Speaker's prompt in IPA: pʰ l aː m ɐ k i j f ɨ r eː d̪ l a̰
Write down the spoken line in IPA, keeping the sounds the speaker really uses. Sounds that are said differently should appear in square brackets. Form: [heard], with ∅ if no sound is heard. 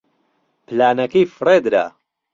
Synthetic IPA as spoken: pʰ l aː [n] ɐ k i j f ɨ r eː d̪ [ɾ] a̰